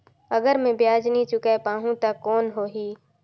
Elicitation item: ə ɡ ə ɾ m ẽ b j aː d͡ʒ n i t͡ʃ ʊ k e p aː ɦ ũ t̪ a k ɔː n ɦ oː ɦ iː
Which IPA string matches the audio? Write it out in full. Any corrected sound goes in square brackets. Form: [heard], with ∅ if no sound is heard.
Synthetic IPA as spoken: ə ɡ ə ɾ m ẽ b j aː d͡ʒ n i t͡ʃ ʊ k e p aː ɦ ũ t̪ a k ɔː n ɦ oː ɦ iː

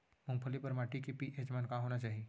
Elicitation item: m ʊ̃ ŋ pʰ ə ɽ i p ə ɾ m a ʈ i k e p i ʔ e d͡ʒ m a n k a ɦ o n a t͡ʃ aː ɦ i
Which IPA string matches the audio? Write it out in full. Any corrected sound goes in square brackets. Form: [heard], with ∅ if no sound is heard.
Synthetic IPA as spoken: m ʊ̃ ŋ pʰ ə [l] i p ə ɾ m a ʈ i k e p i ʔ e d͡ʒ m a n k a ɦ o n a t͡ʃ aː ɦ i

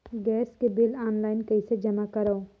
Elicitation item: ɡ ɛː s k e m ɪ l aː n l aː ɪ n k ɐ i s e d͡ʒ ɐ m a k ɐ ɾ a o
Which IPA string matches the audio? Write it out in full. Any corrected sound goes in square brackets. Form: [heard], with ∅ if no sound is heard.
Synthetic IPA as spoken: ɡ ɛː s k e [b] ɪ l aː n l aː ɪ n k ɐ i s e d͡ʒ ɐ m a k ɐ ɾ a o

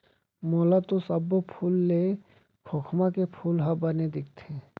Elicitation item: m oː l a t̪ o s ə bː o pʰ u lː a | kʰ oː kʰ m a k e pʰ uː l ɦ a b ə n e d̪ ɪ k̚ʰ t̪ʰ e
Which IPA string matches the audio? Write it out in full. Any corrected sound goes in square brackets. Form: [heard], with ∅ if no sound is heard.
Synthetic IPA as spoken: m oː l a t̪ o s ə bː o pʰ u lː [e] | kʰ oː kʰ m a k e pʰ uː l ɦ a b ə n e d̪ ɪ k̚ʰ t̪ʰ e

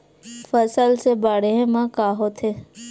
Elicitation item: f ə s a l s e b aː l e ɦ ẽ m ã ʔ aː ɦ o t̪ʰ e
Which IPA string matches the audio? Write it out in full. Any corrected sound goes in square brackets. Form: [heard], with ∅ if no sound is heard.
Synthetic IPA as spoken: f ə s [ə] l s e b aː [ɽ] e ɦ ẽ m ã [k] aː ɦ o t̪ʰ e

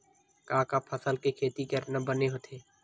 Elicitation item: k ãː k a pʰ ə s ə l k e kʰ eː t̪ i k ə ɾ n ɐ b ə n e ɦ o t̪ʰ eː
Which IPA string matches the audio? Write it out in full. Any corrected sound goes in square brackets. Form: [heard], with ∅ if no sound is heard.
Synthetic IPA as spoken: k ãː k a pʰ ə s ə l k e kʰ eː t̪ i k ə ɾ n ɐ b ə n e ɦ o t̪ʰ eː

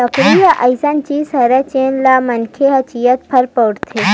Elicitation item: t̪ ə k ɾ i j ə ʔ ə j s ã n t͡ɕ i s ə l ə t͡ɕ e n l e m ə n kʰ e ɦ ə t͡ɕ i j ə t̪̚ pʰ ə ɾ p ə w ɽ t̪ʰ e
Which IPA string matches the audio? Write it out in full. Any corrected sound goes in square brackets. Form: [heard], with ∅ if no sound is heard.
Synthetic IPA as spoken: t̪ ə k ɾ i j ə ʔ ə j s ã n t͡ɕ i s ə [ɾ] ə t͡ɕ e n l [a] m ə n kʰ e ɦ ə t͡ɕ i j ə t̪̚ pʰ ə ɾ p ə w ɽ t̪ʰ e

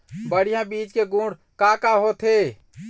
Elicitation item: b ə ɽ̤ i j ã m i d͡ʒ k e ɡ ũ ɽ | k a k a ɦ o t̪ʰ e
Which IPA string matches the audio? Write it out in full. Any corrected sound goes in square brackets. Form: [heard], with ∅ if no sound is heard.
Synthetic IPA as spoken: b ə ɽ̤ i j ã [b] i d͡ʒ k e ɡ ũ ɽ | k a k a ɦ o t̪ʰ e

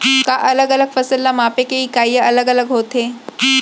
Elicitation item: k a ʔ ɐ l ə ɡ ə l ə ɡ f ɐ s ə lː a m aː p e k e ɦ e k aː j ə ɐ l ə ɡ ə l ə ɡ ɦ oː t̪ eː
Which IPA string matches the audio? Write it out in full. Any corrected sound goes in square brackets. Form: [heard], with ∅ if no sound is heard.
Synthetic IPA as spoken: k a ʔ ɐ l ə ɡ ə l ə ɡ f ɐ s ə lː a m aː p e k e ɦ [i] k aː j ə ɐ l ə ɡ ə l ə ɡ ɦ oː t̪ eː

